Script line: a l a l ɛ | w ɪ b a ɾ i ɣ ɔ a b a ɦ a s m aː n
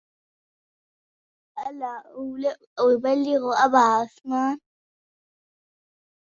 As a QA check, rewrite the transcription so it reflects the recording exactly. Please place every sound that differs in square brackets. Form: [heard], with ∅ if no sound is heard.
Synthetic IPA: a l a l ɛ | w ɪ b a [l] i ɣ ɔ a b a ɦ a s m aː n